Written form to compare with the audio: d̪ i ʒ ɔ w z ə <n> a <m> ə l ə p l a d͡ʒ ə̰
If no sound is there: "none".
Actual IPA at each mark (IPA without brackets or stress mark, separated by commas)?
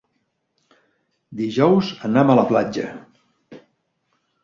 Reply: n, m